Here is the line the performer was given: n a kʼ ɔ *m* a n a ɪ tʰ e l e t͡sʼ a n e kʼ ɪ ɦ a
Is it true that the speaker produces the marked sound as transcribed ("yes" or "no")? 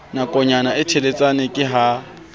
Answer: no